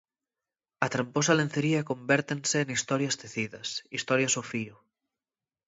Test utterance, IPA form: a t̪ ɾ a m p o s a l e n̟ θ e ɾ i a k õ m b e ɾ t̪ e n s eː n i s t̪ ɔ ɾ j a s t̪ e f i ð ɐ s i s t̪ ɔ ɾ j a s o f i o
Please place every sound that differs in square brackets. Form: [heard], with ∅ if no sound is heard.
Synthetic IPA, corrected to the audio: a t̪ ɾ a m p o s a l e n̟ θ e ɾ i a k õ m b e ɾ t̪ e n s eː n i s t̪ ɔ ɾ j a s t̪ e [θ] i ð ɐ s i s t̪ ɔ ɾ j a s o f i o